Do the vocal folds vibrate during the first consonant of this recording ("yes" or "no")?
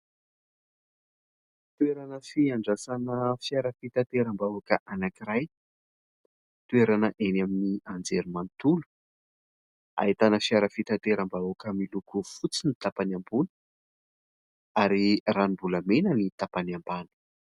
no